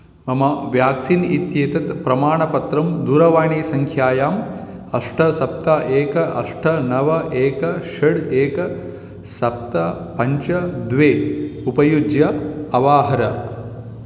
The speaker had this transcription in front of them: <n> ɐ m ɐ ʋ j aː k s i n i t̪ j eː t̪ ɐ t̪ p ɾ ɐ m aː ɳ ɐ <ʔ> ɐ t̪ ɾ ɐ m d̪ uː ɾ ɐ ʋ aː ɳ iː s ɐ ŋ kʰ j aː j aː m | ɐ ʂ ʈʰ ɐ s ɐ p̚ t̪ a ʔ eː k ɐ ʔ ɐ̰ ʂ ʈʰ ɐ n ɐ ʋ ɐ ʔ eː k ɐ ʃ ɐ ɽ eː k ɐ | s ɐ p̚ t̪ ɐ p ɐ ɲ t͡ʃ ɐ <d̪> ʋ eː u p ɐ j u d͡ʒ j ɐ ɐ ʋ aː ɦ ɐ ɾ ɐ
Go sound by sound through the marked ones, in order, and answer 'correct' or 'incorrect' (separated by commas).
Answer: incorrect, incorrect, correct